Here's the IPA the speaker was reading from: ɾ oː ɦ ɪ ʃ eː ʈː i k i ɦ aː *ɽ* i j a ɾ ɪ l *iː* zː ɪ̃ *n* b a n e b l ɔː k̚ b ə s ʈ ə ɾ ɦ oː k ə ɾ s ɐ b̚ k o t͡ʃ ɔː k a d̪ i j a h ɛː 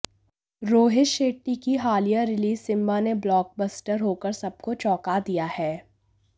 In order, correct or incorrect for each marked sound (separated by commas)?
incorrect, correct, incorrect